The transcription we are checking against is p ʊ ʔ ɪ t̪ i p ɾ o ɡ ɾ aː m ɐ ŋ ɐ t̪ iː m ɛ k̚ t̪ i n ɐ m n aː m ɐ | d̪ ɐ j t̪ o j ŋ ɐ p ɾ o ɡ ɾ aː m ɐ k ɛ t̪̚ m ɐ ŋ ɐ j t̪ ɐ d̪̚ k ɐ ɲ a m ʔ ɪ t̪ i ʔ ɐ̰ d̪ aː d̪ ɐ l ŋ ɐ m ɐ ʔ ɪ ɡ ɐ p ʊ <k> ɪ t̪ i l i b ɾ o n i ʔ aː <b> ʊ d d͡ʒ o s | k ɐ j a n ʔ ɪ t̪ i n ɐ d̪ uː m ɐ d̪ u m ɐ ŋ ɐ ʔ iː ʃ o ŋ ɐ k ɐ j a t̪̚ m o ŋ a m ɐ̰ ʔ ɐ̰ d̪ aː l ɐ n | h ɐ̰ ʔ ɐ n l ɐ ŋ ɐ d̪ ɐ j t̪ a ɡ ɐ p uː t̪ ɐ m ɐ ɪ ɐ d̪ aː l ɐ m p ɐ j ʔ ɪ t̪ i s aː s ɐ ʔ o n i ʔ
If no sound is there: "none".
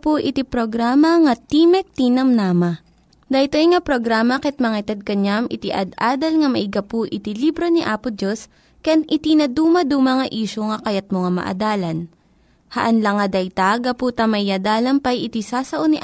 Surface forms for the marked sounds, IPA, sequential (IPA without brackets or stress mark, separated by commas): ʔ, p